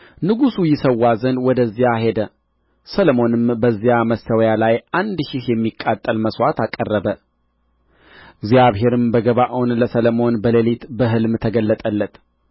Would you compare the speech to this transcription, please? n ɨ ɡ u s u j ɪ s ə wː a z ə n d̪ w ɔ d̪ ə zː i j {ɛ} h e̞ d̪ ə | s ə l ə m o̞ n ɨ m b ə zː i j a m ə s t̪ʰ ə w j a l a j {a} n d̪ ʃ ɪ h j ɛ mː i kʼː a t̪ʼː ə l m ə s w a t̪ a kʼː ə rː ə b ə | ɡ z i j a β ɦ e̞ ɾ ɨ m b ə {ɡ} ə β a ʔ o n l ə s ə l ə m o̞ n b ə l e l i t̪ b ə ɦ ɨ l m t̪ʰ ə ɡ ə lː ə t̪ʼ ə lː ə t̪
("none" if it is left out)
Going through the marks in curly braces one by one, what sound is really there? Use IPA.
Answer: a, a, ɡ

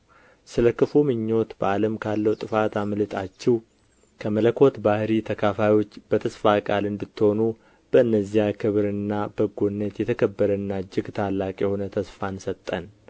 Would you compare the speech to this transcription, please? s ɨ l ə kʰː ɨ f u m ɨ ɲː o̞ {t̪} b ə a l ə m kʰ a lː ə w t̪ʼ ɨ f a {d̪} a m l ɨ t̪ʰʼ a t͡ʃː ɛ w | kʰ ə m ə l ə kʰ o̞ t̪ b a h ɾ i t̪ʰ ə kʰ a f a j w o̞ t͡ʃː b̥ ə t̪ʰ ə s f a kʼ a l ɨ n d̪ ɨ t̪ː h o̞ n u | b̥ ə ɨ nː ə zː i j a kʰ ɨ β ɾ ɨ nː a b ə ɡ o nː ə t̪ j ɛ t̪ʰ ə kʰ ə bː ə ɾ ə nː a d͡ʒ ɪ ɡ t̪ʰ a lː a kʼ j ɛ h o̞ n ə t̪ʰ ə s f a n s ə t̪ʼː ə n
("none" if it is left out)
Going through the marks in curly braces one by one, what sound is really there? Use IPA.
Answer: t̪, t̪

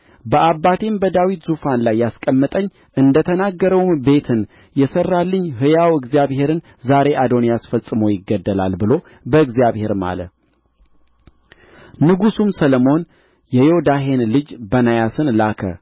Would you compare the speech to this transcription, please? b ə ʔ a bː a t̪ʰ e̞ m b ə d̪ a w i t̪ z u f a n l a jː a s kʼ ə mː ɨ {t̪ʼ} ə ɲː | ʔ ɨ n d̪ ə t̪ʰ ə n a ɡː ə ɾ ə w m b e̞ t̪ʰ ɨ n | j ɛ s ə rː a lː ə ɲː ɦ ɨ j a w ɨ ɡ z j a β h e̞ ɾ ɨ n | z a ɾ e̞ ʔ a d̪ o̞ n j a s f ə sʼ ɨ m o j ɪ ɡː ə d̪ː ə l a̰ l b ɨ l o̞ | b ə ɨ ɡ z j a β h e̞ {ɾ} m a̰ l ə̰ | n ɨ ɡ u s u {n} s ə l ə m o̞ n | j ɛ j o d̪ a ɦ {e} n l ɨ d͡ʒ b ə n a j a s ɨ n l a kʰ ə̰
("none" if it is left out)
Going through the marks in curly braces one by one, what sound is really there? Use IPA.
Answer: t̪ʼ, ɾ, m, e

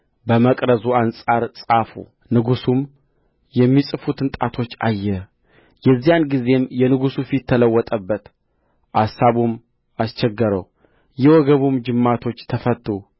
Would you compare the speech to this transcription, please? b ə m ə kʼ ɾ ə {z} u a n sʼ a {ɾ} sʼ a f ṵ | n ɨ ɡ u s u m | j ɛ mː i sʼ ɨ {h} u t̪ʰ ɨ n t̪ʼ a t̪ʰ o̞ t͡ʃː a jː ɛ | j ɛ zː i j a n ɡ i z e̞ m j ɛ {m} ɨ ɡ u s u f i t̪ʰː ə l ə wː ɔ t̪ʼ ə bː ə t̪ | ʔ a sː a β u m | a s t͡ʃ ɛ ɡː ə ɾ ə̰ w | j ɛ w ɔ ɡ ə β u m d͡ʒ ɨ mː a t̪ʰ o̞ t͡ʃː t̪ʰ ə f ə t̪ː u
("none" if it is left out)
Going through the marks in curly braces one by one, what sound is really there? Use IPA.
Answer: z, ɾ, f, n

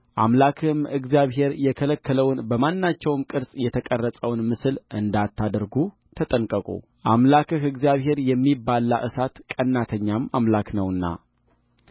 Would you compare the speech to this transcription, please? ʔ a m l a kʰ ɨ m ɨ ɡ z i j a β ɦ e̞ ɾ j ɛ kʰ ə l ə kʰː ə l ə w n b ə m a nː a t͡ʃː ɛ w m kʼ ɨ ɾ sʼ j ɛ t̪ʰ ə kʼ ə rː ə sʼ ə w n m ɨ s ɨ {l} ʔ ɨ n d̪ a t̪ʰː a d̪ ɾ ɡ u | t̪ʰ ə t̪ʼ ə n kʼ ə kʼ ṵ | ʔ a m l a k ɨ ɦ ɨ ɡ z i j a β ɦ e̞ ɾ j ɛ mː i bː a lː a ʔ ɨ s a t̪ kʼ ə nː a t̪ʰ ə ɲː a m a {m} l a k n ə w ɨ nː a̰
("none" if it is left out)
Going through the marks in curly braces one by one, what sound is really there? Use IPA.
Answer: l, m

